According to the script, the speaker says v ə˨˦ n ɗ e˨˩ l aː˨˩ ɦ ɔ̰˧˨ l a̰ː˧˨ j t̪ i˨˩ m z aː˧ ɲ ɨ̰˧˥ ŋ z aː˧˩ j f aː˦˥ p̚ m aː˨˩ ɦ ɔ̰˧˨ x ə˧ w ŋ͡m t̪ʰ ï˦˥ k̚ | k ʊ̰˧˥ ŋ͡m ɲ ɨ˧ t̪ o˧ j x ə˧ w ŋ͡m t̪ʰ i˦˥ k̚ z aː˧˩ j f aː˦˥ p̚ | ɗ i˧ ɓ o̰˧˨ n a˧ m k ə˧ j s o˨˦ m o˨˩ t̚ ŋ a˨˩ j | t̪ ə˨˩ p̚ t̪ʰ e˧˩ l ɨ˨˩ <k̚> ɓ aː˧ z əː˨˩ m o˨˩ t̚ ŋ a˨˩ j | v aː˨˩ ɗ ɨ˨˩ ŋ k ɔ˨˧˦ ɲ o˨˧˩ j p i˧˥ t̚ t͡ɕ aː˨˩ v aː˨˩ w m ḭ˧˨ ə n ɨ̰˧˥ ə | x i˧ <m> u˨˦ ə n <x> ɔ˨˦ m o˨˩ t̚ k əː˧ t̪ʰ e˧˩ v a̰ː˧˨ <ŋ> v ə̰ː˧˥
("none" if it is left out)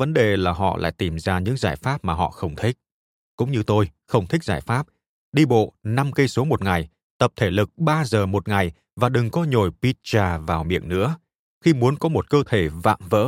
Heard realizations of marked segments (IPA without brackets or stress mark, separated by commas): k̚, m, k, m